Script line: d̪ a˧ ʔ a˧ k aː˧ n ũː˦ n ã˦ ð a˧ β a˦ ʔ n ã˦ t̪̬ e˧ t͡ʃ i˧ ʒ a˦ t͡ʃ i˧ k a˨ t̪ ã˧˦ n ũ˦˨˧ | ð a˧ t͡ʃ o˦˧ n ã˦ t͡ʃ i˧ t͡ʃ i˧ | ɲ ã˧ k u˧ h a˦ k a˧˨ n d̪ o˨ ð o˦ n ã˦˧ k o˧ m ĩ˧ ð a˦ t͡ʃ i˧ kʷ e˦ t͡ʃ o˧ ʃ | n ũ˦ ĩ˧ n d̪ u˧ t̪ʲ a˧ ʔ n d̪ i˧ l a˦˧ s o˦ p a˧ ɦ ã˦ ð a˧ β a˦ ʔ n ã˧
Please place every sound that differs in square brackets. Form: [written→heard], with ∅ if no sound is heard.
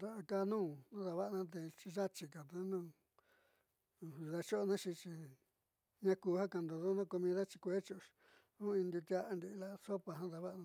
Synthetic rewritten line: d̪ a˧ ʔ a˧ k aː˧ n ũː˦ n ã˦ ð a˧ β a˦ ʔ n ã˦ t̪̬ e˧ t͡ʃ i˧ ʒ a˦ t͡ʃ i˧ k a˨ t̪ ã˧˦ n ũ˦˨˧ | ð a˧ t͡ʃ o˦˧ n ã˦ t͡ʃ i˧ t͡ʃ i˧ | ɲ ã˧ k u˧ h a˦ k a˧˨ n d̪ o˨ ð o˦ n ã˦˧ k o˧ m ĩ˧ ð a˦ t͡ʃ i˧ kʷ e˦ t͡ʃ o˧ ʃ | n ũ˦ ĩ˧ n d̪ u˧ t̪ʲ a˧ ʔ n d̪ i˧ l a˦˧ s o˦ p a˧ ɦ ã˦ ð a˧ β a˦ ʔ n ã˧